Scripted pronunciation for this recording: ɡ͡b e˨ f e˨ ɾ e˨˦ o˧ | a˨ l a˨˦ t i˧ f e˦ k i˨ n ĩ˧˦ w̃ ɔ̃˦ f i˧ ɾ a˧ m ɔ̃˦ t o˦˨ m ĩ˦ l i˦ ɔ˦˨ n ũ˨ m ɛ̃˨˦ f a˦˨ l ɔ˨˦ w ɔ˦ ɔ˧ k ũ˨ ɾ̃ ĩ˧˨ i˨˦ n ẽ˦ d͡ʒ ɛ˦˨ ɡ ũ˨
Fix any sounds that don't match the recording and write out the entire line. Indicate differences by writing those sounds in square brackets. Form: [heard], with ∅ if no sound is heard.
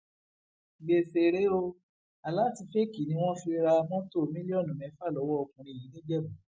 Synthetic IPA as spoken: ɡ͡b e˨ f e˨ ɾ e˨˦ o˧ | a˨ l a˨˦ t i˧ f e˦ k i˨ n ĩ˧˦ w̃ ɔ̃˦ f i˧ ɾ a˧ m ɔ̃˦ t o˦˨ m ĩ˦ l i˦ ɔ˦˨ n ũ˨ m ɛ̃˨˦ f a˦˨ l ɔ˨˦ w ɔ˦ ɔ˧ k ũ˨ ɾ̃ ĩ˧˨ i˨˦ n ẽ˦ d͡ʒ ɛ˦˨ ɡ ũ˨